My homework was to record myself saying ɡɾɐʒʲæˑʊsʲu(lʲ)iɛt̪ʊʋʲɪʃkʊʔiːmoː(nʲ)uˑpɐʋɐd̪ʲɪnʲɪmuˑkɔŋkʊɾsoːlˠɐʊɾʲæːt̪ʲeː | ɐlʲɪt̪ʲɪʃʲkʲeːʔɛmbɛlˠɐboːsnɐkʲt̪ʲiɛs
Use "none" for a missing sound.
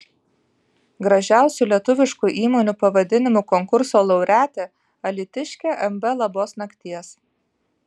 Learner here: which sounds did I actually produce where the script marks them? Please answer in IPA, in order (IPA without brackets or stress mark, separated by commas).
lʲ, nʲ